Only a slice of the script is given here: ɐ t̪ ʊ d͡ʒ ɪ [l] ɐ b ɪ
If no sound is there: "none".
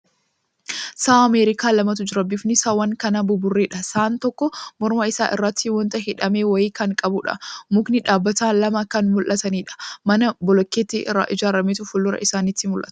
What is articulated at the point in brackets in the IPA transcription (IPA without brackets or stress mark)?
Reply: ɾ